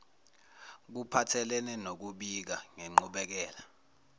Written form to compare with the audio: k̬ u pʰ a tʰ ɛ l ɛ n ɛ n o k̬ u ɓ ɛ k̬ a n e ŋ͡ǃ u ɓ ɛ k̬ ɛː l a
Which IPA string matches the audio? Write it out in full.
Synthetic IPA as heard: k̬ u pʰ a tʰ ɛ l ɛ n ɛ n o k̬ u ɓ i k̬ a ŋ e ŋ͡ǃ u ɓ ɛ k̬ ɛː l a